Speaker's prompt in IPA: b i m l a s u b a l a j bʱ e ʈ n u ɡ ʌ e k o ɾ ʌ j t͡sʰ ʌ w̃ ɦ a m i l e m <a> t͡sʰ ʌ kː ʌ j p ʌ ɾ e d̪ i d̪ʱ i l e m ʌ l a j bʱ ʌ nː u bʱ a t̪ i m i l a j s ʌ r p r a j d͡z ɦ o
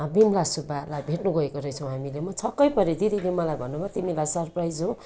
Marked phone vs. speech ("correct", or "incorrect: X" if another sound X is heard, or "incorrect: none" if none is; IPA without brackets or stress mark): incorrect: ʌ